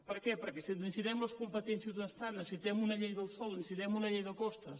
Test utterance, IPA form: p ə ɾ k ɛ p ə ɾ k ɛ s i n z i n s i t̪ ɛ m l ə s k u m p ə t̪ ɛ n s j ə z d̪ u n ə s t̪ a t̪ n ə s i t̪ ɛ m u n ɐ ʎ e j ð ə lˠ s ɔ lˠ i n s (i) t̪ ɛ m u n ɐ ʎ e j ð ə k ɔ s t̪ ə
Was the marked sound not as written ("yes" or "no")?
no